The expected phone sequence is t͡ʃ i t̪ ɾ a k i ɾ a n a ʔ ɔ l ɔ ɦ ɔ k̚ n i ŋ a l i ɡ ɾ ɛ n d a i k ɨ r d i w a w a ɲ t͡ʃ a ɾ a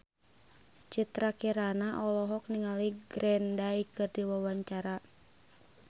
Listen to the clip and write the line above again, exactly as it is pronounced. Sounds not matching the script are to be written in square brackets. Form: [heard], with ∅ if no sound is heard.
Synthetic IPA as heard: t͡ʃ i t̪ ɾ a k i ɾ a n a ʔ ɔ l ɔ ɦ ɔ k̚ n i ŋ a l i ɡ ɾ ɛ n d a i k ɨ r d i w a w a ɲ t͡ʃ a ɾ a